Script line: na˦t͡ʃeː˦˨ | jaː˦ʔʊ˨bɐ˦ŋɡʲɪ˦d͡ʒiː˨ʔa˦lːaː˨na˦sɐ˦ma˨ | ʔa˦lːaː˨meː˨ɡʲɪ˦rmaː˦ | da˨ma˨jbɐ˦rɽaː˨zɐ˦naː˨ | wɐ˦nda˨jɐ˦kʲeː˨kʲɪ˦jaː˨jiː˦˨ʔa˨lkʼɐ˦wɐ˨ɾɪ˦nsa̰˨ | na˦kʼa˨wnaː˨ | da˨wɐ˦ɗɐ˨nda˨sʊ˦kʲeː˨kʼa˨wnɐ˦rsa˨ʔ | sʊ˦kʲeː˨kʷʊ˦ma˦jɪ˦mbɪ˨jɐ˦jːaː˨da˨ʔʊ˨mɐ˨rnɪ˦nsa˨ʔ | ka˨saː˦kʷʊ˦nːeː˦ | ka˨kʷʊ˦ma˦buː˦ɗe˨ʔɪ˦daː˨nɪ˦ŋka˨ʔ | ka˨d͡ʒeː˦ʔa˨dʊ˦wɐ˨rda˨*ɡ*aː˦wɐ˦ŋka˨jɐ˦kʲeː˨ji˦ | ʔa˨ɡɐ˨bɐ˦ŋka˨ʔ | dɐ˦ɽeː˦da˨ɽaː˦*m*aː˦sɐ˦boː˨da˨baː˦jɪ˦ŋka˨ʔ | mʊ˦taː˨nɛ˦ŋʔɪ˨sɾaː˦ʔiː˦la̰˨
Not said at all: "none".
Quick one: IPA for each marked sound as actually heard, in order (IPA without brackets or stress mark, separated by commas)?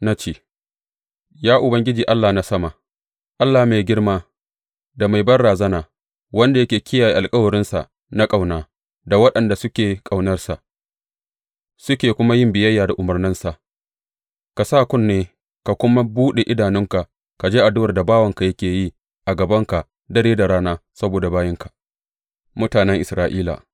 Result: b, n